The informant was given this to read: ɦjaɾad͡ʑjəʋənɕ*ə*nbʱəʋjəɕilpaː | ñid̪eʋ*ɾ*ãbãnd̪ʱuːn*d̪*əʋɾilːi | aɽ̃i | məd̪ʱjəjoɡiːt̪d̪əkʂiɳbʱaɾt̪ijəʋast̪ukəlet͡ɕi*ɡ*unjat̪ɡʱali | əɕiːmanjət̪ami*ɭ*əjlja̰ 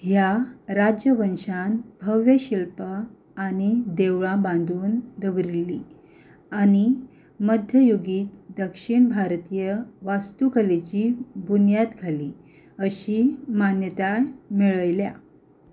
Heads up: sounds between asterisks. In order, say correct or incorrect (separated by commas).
incorrect, incorrect, correct, incorrect, correct